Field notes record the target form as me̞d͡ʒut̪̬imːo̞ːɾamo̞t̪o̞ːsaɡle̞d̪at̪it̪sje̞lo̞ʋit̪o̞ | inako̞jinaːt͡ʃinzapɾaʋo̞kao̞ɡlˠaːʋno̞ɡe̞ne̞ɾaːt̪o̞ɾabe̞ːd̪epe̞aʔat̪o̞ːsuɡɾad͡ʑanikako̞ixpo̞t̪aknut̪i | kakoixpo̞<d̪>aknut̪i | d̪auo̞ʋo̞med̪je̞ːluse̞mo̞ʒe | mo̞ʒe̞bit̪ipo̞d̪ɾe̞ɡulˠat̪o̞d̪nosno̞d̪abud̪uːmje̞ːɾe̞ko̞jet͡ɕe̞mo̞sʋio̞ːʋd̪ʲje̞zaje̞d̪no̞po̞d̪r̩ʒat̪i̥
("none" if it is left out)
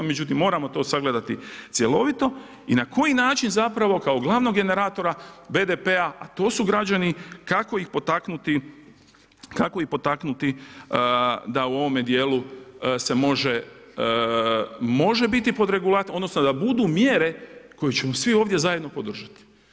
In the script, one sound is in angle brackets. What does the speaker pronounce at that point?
t̪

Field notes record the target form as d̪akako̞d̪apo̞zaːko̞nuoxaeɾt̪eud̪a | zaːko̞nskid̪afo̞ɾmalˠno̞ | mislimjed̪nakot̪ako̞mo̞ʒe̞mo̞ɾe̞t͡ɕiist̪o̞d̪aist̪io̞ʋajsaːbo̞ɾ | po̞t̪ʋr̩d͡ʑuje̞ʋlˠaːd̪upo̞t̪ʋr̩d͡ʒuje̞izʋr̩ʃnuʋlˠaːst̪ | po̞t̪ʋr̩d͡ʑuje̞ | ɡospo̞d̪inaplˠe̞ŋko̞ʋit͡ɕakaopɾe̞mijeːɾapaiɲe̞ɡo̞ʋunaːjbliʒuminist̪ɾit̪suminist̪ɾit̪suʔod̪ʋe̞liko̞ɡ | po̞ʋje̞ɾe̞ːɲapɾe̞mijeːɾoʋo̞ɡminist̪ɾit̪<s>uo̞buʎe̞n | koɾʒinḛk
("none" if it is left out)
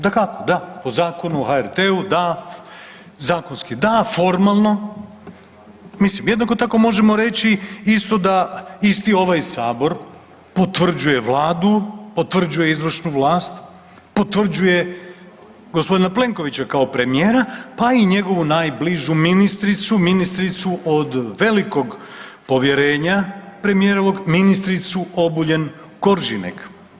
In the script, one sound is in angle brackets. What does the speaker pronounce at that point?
s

